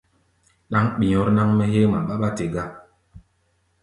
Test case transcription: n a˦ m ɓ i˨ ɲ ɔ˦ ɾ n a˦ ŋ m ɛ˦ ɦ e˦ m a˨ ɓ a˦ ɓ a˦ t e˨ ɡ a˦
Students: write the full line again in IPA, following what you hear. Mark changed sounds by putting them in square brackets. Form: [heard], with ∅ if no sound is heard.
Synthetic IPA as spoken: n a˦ [ŋ] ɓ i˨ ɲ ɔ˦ ɾ n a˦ ŋ m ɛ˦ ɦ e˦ m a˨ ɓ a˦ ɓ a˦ t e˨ ɡ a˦